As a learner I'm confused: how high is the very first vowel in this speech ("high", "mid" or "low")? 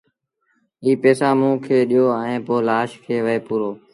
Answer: high